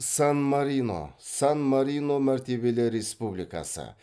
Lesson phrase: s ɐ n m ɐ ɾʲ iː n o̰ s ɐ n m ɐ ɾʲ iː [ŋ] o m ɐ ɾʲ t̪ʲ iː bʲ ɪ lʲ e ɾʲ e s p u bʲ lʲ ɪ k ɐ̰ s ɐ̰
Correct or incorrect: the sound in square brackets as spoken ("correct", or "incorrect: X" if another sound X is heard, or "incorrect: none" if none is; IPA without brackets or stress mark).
incorrect: n